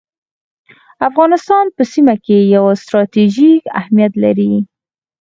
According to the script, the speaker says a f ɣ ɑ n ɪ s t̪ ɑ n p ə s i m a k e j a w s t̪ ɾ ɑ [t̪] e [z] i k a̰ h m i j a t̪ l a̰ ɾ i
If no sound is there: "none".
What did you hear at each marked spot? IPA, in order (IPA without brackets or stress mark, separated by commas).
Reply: t̪, ʒ